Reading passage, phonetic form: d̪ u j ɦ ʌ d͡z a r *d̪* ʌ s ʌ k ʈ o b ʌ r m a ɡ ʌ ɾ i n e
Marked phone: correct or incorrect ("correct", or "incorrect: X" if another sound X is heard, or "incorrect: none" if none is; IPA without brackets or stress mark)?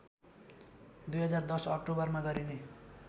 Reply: correct